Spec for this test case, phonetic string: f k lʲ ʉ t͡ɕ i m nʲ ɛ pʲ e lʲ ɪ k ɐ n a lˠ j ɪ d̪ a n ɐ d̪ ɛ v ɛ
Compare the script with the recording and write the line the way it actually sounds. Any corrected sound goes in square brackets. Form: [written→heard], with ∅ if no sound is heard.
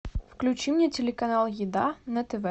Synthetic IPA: f k lʲ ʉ t͡ɕ i m nʲ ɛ [pʲ→tʲ] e lʲ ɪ k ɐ n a lˠ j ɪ d̪ a n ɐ [d̪→t̪] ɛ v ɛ